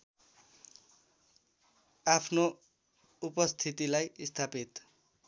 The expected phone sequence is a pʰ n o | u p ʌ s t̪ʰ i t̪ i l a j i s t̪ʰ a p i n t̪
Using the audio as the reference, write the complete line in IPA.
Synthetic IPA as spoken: a pʰ n o | u p ʌ s t̪ʰ i t̪ i l a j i s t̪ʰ a p i t̪

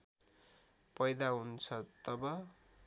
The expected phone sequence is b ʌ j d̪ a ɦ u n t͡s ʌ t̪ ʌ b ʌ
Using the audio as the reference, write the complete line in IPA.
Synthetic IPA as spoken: p ʌ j d̪ a ɦ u n t͡sʰ ʌ t̪ ʌ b ʌ

